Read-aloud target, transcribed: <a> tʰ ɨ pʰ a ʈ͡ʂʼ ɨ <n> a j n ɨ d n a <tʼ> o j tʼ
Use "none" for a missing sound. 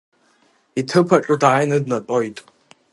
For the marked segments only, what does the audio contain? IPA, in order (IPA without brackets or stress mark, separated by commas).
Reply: i, d, tʼ